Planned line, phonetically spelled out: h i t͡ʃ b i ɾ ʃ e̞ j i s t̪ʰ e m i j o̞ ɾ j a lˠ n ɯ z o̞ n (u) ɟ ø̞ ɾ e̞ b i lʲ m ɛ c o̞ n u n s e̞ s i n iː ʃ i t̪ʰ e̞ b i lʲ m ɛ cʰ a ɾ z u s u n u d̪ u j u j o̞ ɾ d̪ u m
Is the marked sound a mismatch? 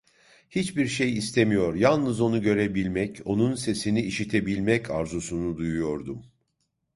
no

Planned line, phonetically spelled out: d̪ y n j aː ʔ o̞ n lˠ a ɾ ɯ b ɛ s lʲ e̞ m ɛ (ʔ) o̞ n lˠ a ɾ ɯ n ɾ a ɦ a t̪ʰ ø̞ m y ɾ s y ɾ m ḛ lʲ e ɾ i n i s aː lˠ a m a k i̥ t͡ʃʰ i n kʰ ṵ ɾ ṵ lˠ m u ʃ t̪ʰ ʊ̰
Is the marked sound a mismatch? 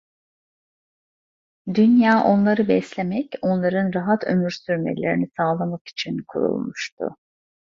yes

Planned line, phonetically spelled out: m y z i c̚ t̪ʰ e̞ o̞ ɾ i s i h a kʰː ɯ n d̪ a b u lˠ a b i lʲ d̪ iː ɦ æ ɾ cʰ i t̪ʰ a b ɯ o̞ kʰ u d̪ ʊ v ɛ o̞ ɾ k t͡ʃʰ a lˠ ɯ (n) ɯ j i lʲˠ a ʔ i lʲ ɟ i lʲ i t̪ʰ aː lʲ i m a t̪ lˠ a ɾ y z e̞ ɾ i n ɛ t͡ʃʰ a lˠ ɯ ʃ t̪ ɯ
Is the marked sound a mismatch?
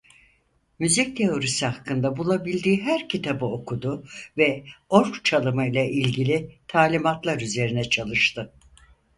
yes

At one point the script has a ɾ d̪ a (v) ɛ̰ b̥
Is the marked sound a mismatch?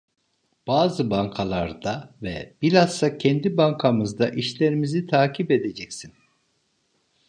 no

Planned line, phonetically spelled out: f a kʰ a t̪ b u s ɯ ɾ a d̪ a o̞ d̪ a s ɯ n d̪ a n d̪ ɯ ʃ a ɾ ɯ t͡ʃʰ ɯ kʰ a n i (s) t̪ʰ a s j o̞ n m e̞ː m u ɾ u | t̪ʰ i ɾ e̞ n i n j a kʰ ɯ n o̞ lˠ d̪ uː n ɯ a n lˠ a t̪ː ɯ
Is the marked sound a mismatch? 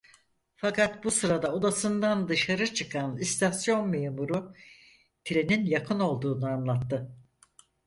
no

